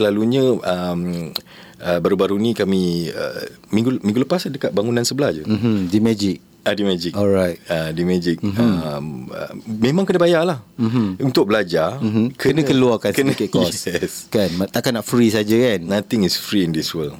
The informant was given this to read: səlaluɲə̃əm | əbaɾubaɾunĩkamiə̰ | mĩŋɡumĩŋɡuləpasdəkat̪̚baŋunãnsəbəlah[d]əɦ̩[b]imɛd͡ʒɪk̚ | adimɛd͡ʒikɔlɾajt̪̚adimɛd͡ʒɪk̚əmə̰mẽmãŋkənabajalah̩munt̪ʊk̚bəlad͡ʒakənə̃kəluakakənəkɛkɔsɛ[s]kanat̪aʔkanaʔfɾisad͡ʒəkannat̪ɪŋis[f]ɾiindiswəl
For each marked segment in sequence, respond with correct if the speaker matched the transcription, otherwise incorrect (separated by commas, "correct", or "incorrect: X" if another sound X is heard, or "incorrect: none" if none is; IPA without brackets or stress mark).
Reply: incorrect: d͡ʒ, incorrect: d, correct, correct